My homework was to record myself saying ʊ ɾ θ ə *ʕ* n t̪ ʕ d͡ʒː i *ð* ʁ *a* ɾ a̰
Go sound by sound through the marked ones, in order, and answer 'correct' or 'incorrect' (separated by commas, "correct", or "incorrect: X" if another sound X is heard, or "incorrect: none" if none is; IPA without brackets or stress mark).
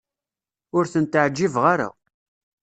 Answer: incorrect: none, incorrect: v, correct